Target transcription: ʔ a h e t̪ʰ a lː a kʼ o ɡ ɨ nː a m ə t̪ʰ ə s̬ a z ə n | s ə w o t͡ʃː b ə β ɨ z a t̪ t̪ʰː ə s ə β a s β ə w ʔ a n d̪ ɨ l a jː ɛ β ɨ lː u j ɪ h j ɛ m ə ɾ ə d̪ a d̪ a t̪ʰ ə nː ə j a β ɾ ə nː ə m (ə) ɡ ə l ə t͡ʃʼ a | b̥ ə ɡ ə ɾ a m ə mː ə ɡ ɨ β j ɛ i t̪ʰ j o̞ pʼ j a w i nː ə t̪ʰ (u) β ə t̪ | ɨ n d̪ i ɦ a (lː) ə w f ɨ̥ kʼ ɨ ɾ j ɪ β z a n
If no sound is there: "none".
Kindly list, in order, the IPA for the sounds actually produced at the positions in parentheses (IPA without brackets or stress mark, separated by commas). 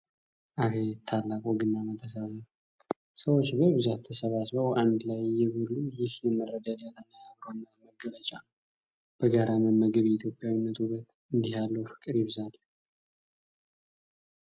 ə, u, lː